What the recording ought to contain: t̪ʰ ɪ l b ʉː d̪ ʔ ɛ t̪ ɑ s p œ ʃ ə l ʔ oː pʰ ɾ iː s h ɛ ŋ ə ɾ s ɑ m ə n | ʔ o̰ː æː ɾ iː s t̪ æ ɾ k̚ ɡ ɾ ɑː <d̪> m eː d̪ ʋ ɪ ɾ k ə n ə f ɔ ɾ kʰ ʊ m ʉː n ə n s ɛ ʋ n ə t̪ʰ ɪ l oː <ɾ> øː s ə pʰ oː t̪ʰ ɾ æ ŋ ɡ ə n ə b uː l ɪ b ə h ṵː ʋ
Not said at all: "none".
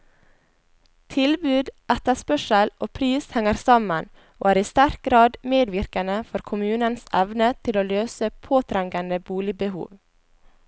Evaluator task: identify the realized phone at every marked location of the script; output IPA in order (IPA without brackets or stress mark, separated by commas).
d̪, l